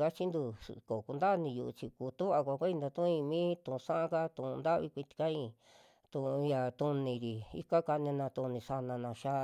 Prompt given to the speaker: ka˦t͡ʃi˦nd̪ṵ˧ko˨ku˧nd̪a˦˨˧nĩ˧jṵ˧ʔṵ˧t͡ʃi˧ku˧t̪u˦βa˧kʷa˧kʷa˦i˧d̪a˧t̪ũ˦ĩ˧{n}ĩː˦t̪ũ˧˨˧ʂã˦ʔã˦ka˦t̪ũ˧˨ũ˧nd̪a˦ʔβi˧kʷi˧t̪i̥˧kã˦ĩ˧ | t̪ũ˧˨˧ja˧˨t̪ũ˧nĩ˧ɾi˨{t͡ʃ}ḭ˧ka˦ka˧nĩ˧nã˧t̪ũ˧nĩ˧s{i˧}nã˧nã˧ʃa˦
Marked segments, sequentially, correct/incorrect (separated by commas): incorrect, incorrect, incorrect